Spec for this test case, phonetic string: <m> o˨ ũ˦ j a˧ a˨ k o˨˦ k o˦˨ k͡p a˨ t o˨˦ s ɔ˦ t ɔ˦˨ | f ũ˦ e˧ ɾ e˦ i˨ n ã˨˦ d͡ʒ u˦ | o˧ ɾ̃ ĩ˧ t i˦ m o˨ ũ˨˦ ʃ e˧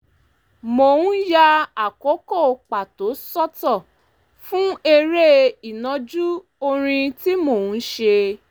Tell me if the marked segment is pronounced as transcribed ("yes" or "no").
yes